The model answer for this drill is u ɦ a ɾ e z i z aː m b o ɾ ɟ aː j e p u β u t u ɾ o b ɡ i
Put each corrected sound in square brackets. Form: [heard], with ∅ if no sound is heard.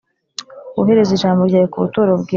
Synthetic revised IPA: u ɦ [e] ɾ e z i [ʒ] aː m b o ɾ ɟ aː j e [k] u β u t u ɾ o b ɡ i